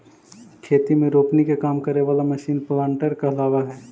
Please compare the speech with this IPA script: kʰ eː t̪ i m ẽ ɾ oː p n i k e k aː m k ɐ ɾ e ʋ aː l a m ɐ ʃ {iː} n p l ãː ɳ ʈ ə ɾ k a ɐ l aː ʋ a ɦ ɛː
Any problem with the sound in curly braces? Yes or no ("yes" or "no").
no